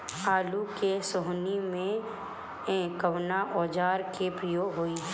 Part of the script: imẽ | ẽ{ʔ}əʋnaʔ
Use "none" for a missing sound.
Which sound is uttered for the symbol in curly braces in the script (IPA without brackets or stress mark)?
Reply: k